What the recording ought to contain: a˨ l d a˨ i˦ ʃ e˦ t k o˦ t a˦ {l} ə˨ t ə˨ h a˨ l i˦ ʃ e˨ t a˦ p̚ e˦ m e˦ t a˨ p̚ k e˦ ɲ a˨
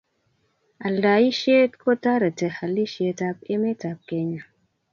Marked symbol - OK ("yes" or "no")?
no